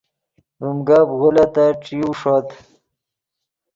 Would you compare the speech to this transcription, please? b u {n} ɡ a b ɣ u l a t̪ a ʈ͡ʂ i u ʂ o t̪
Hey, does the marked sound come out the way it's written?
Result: no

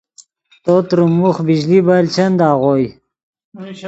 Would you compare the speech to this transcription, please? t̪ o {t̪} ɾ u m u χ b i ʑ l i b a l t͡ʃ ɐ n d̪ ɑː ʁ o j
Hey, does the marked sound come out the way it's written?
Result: yes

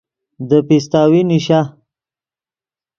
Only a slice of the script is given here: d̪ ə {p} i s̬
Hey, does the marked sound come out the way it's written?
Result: yes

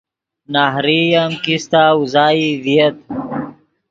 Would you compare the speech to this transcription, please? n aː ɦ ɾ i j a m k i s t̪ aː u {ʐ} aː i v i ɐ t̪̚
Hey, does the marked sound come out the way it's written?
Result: no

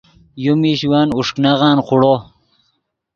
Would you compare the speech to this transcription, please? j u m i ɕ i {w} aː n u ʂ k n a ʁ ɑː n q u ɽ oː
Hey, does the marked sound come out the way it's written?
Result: yes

